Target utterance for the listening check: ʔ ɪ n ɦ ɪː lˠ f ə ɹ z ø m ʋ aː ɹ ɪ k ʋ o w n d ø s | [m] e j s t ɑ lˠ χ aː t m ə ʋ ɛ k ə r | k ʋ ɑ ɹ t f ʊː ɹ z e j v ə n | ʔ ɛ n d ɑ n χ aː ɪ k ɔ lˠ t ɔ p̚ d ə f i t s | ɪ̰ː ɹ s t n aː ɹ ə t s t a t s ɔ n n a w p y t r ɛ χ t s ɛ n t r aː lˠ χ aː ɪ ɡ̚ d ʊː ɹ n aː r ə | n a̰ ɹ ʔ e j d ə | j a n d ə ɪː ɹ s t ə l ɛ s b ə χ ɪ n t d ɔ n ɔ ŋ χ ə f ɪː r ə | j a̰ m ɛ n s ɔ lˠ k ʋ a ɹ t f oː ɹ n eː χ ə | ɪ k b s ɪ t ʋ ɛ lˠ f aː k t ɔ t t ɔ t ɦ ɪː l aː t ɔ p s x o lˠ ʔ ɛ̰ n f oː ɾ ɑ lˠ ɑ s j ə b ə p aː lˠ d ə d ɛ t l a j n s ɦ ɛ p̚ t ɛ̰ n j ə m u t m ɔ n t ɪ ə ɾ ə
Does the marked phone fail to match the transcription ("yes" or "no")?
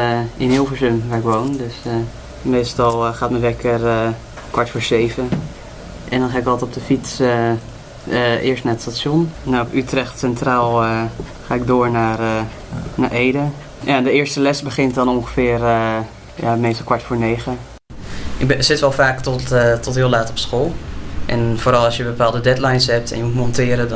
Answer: no